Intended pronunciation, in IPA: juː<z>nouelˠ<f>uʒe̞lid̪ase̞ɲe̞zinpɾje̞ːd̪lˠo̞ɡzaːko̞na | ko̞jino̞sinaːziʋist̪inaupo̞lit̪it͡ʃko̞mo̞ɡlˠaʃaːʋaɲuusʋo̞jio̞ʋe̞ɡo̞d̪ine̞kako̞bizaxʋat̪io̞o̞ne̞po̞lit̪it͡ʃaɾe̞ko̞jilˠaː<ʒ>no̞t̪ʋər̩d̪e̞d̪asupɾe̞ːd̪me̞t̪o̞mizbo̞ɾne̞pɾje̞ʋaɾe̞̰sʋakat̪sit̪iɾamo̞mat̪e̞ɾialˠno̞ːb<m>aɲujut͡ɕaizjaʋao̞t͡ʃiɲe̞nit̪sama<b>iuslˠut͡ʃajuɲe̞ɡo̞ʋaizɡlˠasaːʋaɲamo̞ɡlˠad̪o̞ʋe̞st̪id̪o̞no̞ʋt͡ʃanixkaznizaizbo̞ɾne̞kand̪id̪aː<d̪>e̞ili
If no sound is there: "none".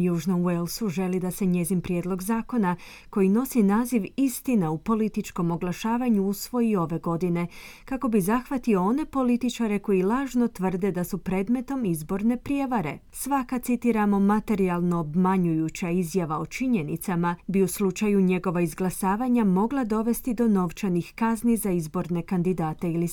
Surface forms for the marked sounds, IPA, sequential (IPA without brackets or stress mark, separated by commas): ʒ, s, ʒ, m, b, t̪